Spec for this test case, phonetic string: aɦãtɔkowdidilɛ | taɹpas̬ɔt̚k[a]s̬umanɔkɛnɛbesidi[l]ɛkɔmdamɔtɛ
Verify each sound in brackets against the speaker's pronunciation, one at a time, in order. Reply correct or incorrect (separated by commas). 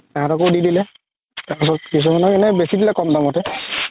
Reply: incorrect, correct